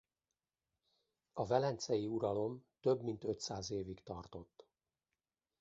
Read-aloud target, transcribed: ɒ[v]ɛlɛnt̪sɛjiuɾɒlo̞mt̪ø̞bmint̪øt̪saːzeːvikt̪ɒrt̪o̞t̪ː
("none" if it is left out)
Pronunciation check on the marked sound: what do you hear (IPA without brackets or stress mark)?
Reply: v